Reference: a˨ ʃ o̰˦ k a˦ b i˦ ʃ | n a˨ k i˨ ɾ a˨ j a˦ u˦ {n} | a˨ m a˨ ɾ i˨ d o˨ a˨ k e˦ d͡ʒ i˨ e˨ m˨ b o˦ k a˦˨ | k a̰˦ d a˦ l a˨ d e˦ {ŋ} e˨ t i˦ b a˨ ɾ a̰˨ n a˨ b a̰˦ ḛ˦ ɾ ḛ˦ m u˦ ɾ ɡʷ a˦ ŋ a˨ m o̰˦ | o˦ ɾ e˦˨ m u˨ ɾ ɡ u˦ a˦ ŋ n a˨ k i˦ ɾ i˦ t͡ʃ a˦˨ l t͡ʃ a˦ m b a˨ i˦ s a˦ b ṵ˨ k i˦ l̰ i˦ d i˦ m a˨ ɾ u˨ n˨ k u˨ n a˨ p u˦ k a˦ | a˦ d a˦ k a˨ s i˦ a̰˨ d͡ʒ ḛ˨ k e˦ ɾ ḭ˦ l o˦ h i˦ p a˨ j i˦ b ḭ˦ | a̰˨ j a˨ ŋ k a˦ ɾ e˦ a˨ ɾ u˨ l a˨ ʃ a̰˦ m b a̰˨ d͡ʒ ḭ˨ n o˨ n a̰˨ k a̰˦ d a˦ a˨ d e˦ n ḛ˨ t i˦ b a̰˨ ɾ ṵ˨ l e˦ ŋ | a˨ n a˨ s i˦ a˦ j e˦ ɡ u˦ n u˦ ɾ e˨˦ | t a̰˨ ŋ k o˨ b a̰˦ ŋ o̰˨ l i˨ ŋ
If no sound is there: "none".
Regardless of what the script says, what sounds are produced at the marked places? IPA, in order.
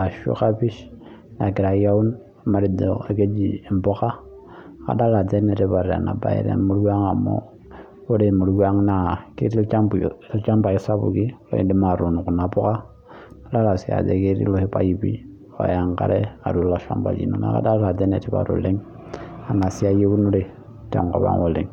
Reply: n, n

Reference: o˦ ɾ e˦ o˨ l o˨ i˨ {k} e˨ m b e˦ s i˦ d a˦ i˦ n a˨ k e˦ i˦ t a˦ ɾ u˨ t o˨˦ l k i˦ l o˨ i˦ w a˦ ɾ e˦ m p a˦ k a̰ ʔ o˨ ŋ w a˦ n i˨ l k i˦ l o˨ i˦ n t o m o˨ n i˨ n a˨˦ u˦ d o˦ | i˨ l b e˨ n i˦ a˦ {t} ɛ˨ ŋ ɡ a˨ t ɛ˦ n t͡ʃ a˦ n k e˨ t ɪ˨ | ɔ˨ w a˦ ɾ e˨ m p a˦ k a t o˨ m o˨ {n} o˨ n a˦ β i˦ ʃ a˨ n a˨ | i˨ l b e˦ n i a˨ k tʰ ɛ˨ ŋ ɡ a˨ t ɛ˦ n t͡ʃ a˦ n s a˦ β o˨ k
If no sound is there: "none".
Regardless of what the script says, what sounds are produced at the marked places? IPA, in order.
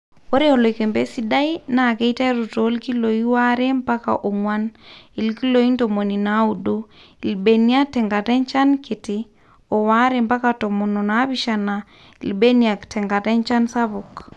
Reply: k, t, n

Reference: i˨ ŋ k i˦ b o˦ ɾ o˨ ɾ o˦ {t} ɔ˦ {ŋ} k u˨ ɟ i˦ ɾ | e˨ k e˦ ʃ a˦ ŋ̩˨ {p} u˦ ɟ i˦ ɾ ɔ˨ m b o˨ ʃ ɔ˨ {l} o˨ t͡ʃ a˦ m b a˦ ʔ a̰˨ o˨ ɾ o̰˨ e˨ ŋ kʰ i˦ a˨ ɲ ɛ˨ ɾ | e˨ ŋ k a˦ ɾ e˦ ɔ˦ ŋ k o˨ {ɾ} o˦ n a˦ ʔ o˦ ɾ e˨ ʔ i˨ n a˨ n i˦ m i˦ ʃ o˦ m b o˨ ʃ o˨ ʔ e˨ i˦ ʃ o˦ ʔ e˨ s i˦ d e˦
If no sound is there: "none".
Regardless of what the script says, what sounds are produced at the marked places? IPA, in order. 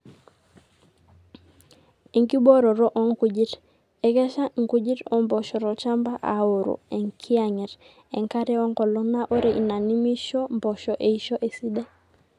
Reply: ʔ, ŋ, k, ɾ, l

